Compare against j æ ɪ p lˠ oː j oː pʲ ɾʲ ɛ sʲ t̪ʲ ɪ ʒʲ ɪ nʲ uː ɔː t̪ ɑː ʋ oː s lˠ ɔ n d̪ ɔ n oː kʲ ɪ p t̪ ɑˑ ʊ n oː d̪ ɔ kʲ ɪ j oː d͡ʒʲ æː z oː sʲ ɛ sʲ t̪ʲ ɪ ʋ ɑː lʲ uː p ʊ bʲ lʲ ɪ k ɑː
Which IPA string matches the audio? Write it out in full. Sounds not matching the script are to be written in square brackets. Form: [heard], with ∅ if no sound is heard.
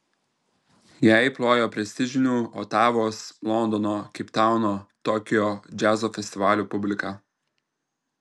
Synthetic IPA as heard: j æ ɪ p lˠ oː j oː pʲ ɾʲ ɛ sʲ t̪ʲ ɪ ʒʲ ɪ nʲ uː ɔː t̪ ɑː ʋ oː s lˠ ɔ n d̪ ɔ n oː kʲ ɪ p t̪ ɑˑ ʊ n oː [t̪] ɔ kʲ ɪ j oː d͡ʒʲ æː z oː [fʲ] ɛ sʲ t̪ʲ ɪ ʋ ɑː lʲ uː p ʊ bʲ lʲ ɪ k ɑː